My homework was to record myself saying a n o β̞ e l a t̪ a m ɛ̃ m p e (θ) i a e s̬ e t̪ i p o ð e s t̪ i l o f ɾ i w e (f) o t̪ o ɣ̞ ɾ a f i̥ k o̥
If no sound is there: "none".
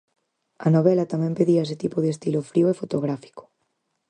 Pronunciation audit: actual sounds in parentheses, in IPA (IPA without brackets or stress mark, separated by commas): ð, f